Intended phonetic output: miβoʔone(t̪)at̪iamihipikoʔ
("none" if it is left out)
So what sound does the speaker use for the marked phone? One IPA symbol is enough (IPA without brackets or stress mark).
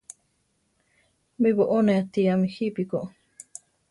none